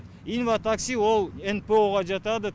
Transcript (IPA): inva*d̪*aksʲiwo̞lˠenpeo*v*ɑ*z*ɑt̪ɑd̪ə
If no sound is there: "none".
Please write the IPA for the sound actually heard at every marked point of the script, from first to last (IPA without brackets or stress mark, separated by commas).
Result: t̪, ʁ, ʒ